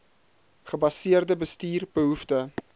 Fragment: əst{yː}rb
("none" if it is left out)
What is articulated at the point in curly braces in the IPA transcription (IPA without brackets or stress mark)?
iː